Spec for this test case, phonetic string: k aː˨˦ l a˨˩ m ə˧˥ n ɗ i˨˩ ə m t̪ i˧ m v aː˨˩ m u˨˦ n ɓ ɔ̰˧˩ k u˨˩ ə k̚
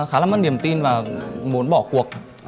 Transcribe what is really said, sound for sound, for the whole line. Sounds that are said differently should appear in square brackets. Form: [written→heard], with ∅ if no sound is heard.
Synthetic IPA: [k→x] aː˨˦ l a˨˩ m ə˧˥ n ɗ i˨˩ ə m t̪ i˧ [m→n] v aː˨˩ m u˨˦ n ɓ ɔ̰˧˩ k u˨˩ ə k̚

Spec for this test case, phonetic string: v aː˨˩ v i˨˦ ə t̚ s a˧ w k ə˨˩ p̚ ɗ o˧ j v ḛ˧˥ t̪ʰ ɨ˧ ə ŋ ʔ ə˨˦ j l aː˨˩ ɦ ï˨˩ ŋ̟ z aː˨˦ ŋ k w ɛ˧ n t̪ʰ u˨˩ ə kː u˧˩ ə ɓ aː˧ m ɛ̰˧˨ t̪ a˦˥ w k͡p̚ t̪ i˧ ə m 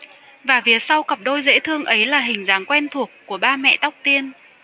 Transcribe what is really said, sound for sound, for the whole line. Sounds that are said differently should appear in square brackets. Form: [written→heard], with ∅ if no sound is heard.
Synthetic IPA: v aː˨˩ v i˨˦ ə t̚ s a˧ w k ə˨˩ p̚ ɗ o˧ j [v→z] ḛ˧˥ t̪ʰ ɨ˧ ə ŋ ʔ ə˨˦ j l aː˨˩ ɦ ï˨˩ ŋ̟ z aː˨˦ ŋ k w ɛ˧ n t̪ʰ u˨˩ ə kː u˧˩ ə ɓ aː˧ m ɛ̰˧˨ t̪ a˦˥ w k͡p̚ t̪ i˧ ə [m→n]

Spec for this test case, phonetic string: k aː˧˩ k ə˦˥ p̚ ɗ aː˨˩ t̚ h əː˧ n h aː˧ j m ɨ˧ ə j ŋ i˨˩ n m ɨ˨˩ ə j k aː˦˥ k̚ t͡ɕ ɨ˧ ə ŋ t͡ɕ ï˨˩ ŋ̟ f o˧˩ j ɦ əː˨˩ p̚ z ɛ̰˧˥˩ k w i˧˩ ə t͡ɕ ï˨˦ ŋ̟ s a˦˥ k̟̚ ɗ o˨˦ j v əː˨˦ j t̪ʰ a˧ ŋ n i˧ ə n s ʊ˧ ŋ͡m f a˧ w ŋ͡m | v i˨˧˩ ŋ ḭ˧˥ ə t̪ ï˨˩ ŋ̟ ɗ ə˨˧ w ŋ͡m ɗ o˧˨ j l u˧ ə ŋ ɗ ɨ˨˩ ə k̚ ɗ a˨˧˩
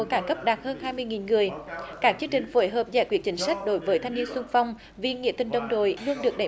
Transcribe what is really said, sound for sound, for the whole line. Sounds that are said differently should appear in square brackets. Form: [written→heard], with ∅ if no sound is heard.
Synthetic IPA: k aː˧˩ k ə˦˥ p̚ ɗ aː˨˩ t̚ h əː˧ n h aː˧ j m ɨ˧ ə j ŋ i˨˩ n [m→ŋ] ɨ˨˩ ə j k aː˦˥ k̚ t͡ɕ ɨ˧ ə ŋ t͡ɕ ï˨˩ ŋ̟ f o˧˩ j ɦ əː˨˩ p̚ z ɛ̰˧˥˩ k w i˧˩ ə t͡ɕ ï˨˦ ŋ̟ s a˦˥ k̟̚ ɗ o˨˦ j v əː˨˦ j t̪ʰ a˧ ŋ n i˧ ə n s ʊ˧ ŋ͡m f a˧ w ŋ͡m | v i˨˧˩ ŋ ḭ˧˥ ə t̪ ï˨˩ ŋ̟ ɗ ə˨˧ w ŋ͡m ɗ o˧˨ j l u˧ ə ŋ ɗ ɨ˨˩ ə k̚ ɗ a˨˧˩

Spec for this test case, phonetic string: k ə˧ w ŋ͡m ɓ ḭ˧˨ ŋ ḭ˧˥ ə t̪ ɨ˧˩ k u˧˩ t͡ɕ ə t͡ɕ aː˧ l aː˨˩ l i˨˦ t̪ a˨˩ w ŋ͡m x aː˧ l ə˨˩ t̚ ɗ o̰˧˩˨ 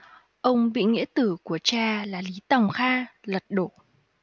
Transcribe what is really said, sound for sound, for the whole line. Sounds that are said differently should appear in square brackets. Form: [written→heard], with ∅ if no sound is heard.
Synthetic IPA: [k→ʔ] ə˧ w ŋ͡m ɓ ḭ˧˨ ŋ ḭ˧˥ ə t̪ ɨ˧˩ k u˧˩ [t͡ɕ→∅] ə t͡ɕ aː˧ l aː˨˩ l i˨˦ t̪ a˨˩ w ŋ͡m x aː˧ l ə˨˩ t̚ ɗ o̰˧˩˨

